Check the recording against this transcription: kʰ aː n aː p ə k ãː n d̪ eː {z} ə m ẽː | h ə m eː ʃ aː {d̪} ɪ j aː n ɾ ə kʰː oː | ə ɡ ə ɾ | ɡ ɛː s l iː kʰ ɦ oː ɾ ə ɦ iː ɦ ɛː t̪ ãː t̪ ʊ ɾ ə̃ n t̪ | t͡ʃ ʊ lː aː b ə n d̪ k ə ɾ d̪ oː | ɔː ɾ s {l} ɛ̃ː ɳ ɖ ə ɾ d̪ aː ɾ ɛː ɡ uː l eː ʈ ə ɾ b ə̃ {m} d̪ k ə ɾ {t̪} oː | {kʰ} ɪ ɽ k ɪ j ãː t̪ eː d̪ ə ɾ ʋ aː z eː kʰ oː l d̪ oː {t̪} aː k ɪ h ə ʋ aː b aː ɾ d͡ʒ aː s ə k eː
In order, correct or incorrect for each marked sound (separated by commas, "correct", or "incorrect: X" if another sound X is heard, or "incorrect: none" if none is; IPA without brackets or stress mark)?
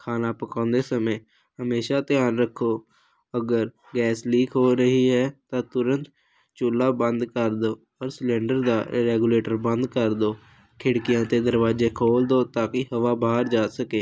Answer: incorrect: s, incorrect: t̪, correct, incorrect: n, incorrect: d̪, correct, correct